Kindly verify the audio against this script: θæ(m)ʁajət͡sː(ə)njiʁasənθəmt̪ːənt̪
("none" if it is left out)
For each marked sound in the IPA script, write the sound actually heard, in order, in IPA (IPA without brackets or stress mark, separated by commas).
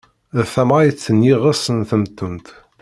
m, ə